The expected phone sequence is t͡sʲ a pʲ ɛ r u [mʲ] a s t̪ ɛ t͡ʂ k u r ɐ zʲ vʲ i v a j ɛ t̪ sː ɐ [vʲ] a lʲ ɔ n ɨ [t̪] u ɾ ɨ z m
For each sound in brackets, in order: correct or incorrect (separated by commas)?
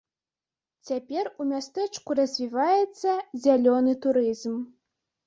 correct, incorrect, correct